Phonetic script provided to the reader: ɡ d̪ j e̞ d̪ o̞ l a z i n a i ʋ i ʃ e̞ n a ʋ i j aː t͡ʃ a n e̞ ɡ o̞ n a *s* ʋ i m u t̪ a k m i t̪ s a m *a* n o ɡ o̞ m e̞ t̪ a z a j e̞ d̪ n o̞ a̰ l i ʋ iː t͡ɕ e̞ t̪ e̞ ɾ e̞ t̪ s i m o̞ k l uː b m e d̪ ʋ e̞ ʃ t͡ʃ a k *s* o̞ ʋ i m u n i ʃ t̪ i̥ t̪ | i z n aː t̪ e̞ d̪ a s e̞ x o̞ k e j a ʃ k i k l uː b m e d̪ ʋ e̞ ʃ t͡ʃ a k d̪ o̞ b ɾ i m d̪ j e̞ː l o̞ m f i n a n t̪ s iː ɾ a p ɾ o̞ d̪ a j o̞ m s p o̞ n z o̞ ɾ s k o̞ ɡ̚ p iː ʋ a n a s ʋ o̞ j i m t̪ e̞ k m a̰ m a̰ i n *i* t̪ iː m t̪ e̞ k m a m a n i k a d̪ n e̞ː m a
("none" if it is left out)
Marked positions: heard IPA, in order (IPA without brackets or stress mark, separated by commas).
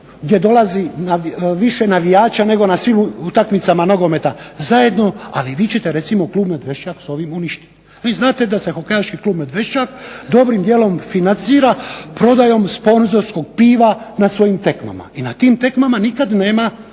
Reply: s, a, s, a